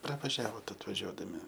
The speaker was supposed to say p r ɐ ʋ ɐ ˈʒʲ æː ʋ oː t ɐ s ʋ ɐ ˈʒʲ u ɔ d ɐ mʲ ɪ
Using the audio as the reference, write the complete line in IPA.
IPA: p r ɐ ʋ ɐ ˈʒʲ æː ʋ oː t ɐ t ʋ ɐ ˈʒʲ u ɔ d ɐ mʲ ɪ